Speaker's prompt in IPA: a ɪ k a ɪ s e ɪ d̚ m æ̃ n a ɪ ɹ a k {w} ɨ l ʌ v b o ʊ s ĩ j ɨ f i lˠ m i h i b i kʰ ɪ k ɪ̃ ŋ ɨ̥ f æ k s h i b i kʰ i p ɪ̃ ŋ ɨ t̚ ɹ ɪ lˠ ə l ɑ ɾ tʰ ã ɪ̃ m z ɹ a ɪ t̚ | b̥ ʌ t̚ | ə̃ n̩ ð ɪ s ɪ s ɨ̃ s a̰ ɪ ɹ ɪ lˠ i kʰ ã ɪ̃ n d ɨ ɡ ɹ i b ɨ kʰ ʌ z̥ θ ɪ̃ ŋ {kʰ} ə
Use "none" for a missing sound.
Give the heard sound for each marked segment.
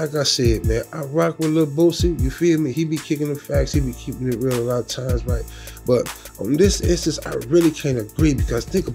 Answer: w, k

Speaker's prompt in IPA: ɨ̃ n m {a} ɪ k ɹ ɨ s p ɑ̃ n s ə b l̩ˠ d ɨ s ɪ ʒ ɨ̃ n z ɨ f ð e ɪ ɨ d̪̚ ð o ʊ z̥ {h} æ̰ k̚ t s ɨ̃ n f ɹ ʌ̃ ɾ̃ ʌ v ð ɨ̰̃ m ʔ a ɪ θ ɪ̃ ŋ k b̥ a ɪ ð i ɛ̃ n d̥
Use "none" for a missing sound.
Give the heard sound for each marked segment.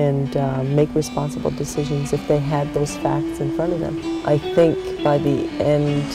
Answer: e, f

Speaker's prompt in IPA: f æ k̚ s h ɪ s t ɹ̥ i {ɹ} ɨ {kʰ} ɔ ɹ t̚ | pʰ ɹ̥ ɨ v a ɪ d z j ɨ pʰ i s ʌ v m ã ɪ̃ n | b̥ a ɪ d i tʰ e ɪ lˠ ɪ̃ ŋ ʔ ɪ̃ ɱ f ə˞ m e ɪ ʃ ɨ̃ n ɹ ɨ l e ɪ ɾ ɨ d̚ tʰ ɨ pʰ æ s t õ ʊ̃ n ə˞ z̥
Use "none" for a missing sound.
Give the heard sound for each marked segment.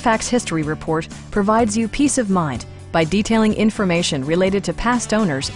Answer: ɹ, pʰ

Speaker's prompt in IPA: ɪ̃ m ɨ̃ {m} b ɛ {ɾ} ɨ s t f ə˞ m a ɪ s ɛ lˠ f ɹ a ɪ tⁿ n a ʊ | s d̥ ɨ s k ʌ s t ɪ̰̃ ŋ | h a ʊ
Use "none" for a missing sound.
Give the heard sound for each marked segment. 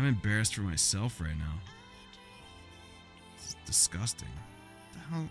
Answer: m, ɹ

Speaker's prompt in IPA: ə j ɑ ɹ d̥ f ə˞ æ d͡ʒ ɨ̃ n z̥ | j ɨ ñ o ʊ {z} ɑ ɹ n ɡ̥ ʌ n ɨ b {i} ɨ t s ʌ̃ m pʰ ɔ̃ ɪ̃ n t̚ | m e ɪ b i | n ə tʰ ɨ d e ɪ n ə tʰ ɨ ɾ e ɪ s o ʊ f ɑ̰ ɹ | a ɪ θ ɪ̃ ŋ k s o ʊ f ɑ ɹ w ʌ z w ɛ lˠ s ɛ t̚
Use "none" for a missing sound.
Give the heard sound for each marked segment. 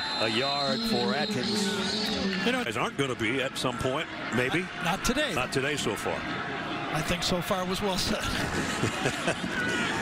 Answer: z, i

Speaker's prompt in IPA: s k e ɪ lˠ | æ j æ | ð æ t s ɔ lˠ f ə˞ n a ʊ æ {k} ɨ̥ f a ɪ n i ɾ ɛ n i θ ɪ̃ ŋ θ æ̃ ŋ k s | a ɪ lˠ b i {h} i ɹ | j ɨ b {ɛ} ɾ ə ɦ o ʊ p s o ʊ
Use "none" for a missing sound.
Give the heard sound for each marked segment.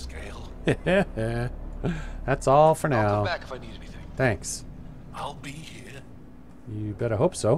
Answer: k, h, ɛ

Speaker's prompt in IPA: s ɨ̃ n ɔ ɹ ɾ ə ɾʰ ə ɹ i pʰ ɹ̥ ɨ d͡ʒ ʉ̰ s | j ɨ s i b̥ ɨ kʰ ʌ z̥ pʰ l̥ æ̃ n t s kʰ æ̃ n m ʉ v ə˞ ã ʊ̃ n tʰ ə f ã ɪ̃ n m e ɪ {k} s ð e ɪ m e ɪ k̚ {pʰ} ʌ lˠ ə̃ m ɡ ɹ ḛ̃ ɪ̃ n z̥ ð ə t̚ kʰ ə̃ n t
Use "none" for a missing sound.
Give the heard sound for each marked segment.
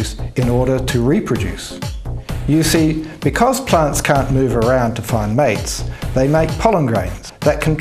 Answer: t, pʰ

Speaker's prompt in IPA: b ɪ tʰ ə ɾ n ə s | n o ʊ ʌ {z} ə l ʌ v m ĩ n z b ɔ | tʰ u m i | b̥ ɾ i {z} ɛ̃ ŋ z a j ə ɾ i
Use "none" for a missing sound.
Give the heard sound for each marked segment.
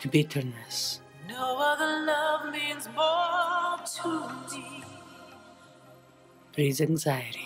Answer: ð, z

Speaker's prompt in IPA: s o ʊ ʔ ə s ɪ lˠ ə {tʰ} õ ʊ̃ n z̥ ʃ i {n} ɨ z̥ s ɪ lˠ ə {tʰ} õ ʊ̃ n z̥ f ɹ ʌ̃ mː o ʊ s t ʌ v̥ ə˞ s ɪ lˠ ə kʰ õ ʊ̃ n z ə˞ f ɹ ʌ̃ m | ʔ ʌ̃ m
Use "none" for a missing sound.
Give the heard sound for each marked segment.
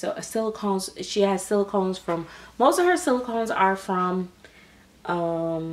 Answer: kʰ, none, kʰ

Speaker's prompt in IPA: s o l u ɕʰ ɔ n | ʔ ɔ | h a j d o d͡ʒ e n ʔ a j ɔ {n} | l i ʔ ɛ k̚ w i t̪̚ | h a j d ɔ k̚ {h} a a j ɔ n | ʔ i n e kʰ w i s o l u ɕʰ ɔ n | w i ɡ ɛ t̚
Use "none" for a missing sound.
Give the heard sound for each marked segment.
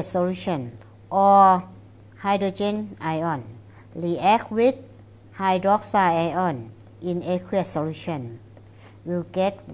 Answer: n, s

